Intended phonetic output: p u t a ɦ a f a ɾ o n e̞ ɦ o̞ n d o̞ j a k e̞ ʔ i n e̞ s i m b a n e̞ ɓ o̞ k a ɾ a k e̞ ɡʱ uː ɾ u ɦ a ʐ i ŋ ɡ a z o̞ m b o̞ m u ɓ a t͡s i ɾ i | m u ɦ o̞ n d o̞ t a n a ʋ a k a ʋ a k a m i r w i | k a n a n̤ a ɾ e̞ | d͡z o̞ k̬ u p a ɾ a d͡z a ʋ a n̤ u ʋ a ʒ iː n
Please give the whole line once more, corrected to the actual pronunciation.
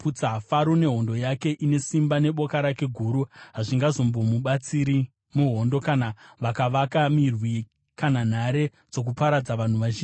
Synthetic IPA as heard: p u t͡s a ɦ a f a ɾ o n e̞ ɦ o̞ n d o̞ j a k e̞ ʔ i n e̞ s i m b a n e̞ ɓ o̞ k a ɾ a k e̞ ɡʱ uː ɾ u ɦ a ʐ i ŋ ɡ a z o̞ m b o̞ m u ɓ a t͡s i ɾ i | m u ɦ o̞ n d o̞ k a n a ʋ a k a ʋ a k a m i r w i | k a n a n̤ a ɾ e̞ | d͡z o̞ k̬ u p a ɾ a d͡z a ʋ a n̤ u ʋ a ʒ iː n